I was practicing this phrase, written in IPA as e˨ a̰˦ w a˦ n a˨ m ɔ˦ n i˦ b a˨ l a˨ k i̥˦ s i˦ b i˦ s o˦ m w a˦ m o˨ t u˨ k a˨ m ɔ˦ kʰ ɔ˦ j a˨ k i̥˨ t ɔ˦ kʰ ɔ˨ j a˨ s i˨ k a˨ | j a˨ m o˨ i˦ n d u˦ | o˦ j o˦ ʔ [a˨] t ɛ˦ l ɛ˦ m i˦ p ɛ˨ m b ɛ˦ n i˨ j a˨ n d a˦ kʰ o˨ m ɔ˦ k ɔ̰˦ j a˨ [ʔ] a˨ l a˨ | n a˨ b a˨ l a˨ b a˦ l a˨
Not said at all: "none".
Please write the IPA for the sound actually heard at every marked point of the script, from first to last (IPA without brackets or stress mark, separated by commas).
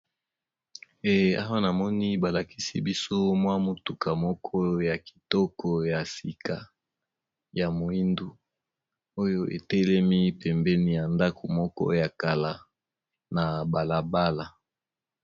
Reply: e˨, k